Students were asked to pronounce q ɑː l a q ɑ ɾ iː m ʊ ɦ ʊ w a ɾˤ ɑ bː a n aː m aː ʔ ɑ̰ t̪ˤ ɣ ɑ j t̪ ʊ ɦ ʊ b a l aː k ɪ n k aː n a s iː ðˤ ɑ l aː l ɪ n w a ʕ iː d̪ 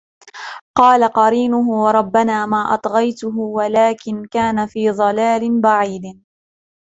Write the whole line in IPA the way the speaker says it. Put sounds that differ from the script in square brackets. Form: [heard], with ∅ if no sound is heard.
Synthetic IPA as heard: q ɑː l a q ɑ ɾ iː [n] ʊ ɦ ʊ w [ɑ] ɾˤ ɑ bː a n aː m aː ʔ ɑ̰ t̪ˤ ɣ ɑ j t̪ ʊ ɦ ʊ [w] a l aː k ɪ n k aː n a [f] iː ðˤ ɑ l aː l ɪ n [b] a ʕ iː d̪

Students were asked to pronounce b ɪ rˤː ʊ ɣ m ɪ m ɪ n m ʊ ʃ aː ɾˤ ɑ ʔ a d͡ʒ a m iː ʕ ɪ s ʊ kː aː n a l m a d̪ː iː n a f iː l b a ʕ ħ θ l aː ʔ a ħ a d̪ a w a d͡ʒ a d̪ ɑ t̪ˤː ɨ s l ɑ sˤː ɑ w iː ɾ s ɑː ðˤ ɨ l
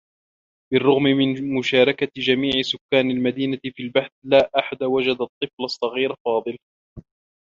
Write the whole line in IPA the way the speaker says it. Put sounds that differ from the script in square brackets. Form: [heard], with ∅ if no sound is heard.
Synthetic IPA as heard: b ɪ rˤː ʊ ɣ m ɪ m ɪ n m ʊ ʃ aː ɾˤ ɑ [k] a d͡ʒ a m iː ʕ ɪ s ʊ kː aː n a l m a [d̪] iː n a f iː l b a [∅] ħ θ l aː ʔ a ħ a d̪ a w a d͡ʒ a d̪ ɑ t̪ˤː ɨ [f] l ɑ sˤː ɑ [ɣ] iː ɾ [f] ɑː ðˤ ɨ l

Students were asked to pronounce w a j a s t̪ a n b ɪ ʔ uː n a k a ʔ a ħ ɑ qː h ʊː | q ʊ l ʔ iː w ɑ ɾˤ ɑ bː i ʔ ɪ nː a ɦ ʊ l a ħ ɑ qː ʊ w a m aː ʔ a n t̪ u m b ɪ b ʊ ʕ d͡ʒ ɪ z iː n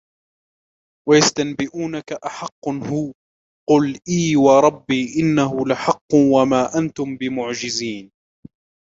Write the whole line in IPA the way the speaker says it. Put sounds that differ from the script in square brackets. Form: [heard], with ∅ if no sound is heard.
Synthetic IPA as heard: w a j a s t̪ a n b ɪ ʔ uː n a k a ʔ a ħ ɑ qː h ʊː | q ʊ l ʔ iː w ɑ ɾˤ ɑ bː [iː] ʔ ɪ nː a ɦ ʊ l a ħ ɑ qː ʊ w a m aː ʔ a n t̪ [ʊ] m b ɪ [m] ʊ ʕ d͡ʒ ɪ z iː n

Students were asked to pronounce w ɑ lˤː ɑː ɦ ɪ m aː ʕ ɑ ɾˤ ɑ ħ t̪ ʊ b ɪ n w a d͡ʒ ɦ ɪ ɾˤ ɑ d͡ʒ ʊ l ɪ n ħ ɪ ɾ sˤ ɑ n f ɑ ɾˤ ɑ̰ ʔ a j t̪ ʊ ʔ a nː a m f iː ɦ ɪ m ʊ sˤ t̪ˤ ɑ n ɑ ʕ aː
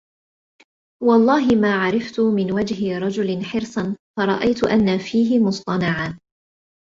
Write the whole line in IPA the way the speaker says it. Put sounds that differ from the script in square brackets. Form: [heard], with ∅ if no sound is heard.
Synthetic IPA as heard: w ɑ lˤː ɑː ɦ ɪ m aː ʕ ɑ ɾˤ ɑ [f] t̪ ʊ [m] ɪ n w a d͡ʒ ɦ ɪ ɾˤ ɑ d͡ʒ ʊ l ɪ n ħ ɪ ɾ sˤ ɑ n f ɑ ɾˤ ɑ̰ ʔ a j t̪ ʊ ʔ a nː a [∅] f iː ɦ ɪ m ʊ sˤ t̪ˤ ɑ n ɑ ʕ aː

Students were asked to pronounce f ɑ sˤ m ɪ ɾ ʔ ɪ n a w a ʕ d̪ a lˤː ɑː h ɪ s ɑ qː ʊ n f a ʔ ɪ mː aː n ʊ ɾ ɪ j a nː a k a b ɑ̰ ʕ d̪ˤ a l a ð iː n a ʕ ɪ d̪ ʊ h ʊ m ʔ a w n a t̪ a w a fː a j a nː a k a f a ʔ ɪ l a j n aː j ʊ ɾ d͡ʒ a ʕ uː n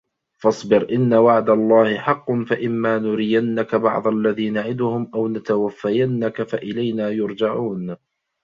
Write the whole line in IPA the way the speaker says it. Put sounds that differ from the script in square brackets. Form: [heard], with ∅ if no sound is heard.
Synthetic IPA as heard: f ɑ sˤ [b] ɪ ɾ ʔ ɪ [nː] a w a ʕ d̪ a lˤː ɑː h ɪ [ħ] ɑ qː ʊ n f a ʔ ɪ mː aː n ʊ ɾ ɪ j a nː a k a b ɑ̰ ʕ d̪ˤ a [lː] a ð iː n a ʕ ɪ d̪ ʊ h ʊ m ʔ a w n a t̪ a w a fː a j a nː a k a f a ʔ ɪ l a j n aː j ʊ ɾ d͡ʒ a ʕ uː n

